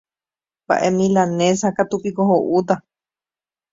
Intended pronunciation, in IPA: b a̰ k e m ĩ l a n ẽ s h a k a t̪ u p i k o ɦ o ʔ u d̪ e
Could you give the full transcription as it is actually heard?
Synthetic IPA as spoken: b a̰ ʔ e m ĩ l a n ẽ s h a k a t̪ u p i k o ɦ o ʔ u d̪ a

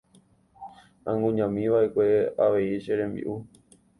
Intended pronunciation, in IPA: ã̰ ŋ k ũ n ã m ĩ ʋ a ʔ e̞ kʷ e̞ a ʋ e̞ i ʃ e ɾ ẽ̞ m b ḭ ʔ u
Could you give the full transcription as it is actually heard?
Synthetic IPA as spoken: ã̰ ŋ ɡ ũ ɲ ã m ĩ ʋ a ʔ e̞ kʷ e̞ a ʋ e̞ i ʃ e ɾ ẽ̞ m b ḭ ʔ u

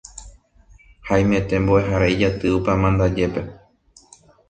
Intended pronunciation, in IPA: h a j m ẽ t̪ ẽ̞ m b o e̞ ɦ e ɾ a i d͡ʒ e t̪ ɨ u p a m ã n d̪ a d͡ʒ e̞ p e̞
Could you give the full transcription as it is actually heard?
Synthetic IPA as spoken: h a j m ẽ t̪ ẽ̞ m b o e̞ ɦ a ɾ a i d͡ʒ a t̪ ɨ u p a m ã n d̪ a d͡ʒ e̞ p e̞

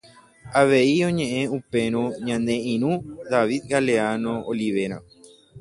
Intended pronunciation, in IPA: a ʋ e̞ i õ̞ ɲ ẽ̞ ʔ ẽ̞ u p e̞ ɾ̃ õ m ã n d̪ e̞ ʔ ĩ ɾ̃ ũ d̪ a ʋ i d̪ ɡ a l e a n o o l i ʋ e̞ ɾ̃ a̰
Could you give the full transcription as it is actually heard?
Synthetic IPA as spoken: a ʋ e̞ i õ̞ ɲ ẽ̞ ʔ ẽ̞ u p e̞ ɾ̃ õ ɲ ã n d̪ e̞ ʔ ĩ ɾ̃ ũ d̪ a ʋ i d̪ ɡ a l e a n o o l i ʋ e̞ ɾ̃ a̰

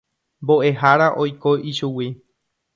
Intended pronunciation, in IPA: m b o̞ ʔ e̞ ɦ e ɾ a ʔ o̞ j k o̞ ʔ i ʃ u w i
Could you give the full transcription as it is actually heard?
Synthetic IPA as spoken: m b o̞ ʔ e̞ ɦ a ɾ a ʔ o̞ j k o̞ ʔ i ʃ u w i

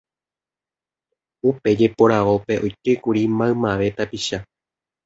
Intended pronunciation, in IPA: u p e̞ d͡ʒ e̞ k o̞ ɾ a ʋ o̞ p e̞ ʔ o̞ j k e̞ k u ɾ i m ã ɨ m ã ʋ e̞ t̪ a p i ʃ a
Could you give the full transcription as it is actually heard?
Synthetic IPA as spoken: u p e̞ d͡ʒ e̞ p o̞ ɾ a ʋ o̞ p e̞ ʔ o̞ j k e̞ k u ɾ i m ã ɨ m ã ʋ e̞ t̪ a p i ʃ a

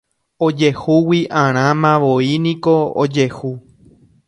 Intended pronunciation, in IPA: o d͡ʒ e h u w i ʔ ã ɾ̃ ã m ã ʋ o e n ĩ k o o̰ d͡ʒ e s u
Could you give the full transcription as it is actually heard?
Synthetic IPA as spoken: o d͡ʒ e h u w i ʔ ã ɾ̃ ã m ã ʋ o i n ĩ k o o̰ d͡ʒ e h u

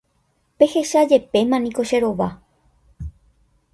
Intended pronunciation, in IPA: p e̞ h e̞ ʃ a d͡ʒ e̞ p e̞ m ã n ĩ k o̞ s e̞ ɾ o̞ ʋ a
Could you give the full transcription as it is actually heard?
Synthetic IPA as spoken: p e̞ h e̞ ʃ a d͡ʒ e̞ p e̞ m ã n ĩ k o̞ ʃ e̞ ɾ o̞ ʋ a

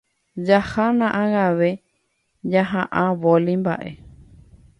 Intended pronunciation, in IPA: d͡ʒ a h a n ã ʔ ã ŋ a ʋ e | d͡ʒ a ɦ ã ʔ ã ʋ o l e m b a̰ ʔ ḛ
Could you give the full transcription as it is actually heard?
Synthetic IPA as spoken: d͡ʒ a h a n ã ʔ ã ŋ a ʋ e | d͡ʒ a ɦ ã ʔ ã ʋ o l i m b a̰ ʔ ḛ

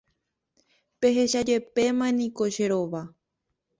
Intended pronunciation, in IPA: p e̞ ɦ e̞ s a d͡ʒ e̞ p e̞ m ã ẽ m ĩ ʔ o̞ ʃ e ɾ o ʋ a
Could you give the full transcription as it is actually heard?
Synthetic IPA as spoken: p e̞ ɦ e̞ ʃ a d͡ʒ e̞ p e̞ m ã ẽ n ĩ k o̞ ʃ e ɾ o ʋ a

